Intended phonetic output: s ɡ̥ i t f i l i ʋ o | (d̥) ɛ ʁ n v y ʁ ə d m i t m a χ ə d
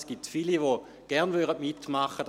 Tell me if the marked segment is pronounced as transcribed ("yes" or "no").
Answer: no